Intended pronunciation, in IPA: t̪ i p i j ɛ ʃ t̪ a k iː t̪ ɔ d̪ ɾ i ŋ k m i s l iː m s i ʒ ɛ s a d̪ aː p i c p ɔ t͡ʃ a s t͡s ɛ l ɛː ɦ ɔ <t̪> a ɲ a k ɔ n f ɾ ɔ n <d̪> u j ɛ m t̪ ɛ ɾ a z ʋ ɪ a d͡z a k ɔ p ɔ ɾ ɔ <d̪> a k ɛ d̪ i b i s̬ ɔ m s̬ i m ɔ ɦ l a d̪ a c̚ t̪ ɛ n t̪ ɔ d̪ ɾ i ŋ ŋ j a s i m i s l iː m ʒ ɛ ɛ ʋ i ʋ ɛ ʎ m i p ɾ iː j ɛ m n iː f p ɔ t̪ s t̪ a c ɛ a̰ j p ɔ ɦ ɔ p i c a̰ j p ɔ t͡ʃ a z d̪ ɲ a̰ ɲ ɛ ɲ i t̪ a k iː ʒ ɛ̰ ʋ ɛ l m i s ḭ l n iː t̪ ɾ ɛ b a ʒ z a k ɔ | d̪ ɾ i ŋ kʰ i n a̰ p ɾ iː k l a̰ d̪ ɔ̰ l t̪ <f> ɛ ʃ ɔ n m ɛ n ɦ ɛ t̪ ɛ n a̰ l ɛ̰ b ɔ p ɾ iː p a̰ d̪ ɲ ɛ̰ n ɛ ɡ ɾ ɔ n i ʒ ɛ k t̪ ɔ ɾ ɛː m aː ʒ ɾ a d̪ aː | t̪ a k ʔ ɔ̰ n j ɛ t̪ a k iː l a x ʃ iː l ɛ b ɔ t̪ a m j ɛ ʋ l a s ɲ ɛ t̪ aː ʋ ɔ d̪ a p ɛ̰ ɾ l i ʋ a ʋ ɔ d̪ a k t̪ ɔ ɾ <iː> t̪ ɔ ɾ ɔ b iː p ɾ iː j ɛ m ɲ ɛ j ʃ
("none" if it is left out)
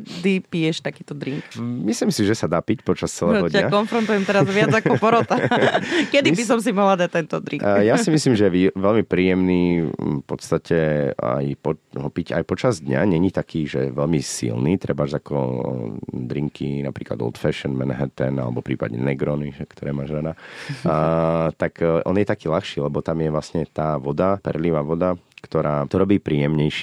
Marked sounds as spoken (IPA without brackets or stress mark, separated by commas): d̪, t̪, t̪, f, aː